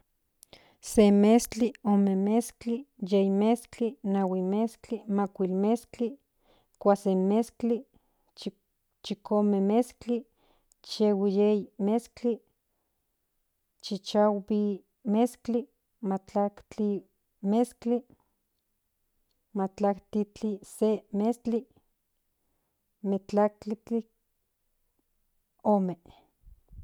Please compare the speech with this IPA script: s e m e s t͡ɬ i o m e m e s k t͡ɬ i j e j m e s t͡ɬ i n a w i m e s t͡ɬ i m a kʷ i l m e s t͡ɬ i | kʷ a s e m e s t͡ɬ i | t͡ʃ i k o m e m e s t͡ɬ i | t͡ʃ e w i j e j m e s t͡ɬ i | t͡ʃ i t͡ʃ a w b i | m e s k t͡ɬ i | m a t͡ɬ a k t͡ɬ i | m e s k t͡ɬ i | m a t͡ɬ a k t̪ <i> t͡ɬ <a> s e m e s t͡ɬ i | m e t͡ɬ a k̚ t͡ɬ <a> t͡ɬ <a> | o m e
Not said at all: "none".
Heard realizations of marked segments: i, i, i, i

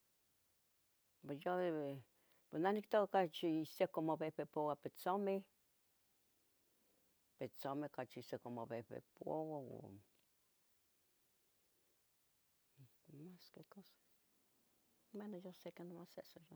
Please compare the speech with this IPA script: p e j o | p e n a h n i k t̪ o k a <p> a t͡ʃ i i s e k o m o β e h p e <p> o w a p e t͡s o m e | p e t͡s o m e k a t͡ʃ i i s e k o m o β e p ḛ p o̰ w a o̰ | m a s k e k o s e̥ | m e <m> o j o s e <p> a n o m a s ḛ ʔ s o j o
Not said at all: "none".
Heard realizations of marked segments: k, p, n, k

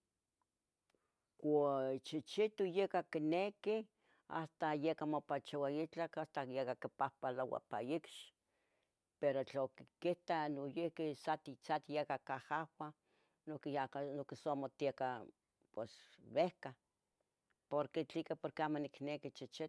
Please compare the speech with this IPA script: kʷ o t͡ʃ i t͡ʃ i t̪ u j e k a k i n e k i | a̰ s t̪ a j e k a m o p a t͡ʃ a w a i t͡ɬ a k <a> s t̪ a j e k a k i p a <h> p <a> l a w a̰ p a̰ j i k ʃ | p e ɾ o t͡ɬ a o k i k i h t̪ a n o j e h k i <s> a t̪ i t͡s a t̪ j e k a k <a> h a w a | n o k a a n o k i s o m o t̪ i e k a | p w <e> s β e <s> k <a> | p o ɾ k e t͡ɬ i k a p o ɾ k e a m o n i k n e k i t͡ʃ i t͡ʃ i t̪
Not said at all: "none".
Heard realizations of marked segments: a, h, a, s, a, e, h, a

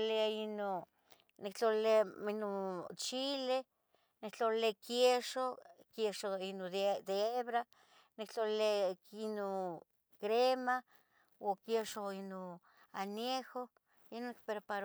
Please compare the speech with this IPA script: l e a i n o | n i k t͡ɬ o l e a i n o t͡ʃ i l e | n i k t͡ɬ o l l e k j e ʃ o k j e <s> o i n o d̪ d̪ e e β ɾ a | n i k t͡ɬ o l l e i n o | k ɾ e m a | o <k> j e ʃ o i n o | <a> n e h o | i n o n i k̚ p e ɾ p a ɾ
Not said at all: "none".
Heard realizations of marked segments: ʃ, k, a

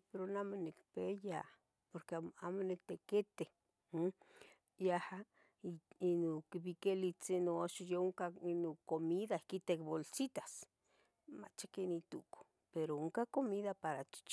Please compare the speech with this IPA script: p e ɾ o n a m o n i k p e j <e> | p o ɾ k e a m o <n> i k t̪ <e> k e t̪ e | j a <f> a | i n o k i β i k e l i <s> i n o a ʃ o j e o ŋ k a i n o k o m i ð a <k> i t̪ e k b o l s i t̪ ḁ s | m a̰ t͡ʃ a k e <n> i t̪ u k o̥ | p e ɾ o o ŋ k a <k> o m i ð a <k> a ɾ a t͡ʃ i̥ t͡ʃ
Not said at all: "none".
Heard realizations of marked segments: a, n, e, h, t͡s, k, n, k, p

